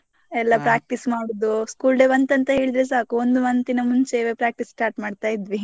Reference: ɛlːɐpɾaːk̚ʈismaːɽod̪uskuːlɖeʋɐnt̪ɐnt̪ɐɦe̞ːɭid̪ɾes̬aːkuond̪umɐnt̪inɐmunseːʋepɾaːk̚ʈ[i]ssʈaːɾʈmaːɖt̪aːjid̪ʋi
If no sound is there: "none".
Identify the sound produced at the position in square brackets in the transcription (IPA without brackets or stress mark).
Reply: i